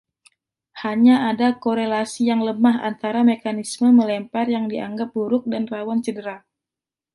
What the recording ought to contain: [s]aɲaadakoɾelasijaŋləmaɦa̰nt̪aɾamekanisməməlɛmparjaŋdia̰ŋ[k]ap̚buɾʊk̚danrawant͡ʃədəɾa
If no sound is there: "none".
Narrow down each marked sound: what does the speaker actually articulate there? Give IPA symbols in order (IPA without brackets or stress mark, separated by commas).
h, ɡ